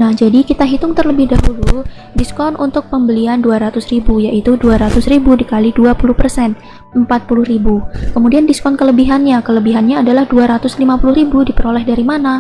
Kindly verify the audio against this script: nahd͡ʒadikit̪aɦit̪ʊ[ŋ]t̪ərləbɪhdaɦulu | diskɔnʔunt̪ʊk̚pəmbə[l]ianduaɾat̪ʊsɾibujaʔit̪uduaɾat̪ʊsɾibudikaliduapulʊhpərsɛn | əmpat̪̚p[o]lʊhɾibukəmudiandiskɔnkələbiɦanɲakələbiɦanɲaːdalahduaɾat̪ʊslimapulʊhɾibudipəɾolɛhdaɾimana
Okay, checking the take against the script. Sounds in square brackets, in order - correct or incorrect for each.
correct, correct, incorrect: u

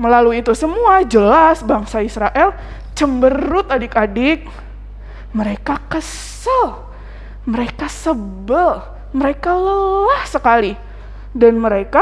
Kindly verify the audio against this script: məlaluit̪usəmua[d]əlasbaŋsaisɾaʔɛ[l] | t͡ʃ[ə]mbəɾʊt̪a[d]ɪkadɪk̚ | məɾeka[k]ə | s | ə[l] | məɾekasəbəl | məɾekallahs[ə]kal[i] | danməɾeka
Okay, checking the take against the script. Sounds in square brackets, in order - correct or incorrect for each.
incorrect: d͡ʒ, correct, correct, correct, correct, correct, correct, correct

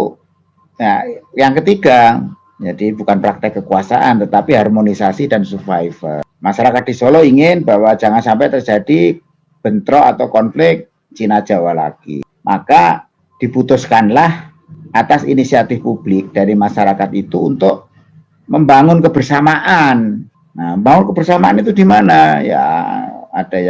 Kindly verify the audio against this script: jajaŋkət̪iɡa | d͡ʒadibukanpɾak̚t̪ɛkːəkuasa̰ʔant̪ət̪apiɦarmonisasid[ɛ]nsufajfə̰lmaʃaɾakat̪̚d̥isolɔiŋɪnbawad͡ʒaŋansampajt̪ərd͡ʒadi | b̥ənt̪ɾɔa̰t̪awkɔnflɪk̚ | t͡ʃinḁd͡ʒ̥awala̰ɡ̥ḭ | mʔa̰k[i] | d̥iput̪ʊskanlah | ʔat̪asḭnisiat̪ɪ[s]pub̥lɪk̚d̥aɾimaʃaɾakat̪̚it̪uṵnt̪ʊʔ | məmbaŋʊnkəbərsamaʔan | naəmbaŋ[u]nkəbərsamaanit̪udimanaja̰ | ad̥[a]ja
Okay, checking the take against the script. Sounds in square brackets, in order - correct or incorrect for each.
incorrect: a, incorrect: a, incorrect: f, incorrect: ʊ, correct

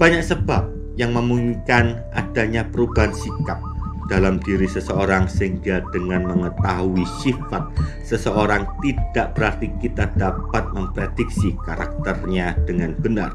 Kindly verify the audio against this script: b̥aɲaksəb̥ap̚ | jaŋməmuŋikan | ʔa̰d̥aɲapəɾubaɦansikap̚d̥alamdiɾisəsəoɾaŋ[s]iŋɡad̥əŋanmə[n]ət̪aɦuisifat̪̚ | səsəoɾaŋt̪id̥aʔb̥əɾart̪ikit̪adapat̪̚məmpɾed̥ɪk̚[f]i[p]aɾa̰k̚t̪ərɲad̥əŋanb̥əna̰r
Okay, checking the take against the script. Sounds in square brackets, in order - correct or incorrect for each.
correct, incorrect: ŋ, incorrect: s, incorrect: k

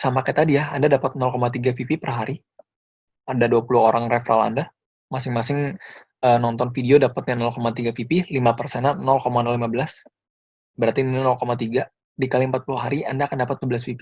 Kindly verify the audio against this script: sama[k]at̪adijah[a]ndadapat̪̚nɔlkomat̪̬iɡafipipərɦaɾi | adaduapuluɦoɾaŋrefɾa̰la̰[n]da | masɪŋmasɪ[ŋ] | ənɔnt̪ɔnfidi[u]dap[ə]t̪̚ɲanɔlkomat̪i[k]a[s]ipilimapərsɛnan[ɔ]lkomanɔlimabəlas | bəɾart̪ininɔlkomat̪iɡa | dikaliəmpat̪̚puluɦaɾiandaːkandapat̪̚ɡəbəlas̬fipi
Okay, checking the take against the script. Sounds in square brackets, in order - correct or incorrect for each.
correct, correct, correct, correct, incorrect: o, incorrect: a, incorrect: ɡ, incorrect: f, correct

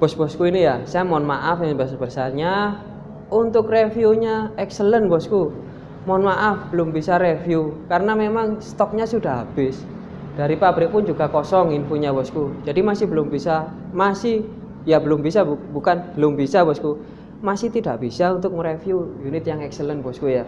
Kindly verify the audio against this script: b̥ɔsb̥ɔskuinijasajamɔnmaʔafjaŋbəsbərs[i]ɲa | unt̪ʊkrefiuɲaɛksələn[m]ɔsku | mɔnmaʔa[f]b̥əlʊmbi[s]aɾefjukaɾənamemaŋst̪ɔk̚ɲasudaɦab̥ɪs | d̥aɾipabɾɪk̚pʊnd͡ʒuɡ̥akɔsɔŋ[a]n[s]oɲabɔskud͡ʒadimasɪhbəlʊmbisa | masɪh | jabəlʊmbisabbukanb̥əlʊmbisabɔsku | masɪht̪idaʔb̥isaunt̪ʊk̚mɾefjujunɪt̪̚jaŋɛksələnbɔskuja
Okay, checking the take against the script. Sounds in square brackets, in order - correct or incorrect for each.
incorrect: a, incorrect: b, correct, correct, incorrect: i, incorrect: f

